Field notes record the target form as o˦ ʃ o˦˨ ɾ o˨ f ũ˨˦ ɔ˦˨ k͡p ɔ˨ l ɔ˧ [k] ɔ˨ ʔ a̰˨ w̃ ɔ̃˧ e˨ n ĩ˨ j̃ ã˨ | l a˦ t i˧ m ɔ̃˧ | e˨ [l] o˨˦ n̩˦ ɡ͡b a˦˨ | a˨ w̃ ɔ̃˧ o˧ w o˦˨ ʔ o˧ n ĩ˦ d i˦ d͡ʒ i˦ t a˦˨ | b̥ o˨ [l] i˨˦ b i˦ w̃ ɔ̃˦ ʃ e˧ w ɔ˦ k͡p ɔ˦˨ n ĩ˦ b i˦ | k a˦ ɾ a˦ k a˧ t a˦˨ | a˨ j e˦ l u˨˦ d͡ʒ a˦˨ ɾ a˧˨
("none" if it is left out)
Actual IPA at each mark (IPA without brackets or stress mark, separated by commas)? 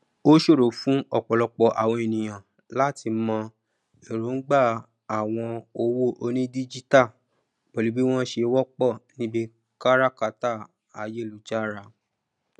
k͡p, ɾ, l